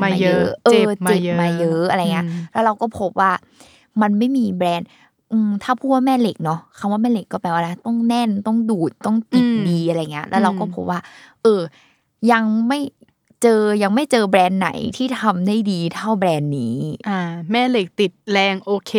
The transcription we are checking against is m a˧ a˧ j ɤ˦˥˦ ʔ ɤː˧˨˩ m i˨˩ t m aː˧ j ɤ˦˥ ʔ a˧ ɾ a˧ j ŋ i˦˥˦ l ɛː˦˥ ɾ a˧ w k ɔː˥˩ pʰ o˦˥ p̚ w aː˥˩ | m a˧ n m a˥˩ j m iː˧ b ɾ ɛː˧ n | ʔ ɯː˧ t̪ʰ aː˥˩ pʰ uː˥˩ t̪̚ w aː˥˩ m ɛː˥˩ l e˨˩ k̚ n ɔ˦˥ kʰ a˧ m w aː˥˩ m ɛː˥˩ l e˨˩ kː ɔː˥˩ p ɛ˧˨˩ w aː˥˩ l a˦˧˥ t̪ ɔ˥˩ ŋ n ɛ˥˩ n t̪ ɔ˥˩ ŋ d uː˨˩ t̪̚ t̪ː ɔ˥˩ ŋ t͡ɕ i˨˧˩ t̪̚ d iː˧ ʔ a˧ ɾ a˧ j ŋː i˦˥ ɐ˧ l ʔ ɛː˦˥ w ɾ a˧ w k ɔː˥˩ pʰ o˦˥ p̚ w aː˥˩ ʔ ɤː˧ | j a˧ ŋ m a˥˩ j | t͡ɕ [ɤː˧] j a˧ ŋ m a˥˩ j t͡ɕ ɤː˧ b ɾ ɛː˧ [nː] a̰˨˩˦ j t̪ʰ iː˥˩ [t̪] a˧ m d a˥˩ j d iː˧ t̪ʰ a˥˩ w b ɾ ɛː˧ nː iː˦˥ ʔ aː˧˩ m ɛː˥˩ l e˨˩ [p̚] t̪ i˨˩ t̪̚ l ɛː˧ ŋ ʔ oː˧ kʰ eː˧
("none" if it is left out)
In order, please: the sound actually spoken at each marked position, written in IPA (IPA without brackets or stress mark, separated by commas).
ɤː˧, nː, t̪ʰ, k̚